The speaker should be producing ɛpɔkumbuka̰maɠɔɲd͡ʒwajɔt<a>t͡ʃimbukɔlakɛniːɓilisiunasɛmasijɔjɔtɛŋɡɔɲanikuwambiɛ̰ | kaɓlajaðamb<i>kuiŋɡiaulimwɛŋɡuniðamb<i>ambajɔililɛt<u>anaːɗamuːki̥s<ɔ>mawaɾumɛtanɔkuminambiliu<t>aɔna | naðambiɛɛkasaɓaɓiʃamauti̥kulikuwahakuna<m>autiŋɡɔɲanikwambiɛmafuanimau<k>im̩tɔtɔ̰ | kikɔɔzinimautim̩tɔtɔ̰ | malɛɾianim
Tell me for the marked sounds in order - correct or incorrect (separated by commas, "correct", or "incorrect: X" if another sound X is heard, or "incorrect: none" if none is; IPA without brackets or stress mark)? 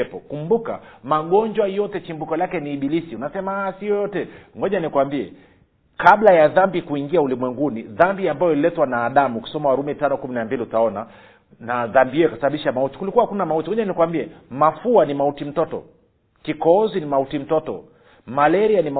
incorrect: ɛ, correct, correct, incorrect: w, correct, correct, correct, incorrect: t